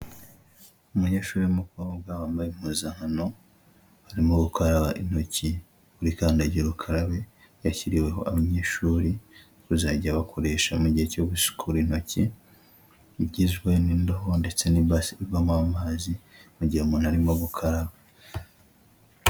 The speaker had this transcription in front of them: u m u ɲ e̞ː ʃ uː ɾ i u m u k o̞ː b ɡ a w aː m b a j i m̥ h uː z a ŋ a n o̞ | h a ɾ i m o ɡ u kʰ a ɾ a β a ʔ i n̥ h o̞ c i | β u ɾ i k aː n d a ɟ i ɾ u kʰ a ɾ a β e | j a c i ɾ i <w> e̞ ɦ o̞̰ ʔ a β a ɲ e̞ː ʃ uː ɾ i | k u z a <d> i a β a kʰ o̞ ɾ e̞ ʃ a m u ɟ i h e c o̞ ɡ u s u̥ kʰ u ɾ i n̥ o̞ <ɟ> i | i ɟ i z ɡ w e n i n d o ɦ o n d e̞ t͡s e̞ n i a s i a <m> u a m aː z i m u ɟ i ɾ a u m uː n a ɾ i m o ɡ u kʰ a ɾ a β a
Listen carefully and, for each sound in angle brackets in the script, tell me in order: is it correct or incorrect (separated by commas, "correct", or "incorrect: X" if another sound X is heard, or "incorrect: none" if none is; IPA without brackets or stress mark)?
correct, incorrect: ɟ, incorrect: c, correct